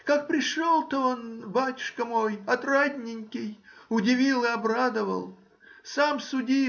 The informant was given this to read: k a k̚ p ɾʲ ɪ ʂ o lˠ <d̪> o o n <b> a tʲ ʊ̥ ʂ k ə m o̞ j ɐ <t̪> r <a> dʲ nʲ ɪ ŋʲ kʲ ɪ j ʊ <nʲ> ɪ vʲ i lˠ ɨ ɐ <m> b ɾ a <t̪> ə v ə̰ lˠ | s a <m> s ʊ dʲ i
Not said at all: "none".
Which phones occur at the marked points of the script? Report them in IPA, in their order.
t̪, b, t̪, a, dʲ, none, d̪, m

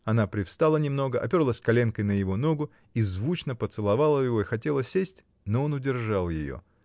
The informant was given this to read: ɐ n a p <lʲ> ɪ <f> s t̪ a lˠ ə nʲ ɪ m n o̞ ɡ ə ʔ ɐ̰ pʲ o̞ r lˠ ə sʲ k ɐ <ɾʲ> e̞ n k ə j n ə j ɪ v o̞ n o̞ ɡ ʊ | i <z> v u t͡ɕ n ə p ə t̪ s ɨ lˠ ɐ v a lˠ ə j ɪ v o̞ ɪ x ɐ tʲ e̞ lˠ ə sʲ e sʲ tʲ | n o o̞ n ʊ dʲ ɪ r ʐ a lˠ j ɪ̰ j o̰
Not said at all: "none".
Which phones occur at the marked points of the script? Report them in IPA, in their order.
ɾʲ, f, lʲ, z

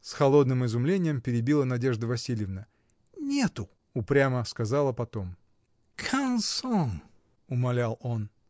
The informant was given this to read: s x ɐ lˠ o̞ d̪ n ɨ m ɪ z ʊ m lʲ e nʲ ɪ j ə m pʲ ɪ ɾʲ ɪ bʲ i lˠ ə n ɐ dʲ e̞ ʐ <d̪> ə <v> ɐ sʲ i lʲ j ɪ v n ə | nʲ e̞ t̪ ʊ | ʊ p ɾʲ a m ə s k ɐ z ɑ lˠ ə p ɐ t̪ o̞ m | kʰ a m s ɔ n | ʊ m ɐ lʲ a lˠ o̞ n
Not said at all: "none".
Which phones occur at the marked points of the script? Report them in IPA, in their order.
d̪, v

